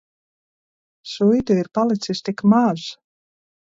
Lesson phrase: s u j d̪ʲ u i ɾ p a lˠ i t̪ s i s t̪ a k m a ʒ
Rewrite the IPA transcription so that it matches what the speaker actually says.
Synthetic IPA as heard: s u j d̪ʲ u i ɾ p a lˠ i t̪ s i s t̪ i k m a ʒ